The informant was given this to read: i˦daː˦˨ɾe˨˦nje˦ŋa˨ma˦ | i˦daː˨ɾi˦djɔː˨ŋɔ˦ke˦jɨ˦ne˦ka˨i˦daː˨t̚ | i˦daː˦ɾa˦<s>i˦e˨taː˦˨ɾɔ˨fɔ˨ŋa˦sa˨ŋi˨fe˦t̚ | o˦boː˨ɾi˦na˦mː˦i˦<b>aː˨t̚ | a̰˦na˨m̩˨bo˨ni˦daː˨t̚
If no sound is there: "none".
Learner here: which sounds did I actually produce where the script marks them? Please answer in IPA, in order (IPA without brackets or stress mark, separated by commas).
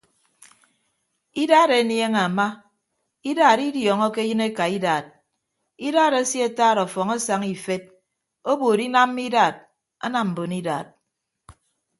s, d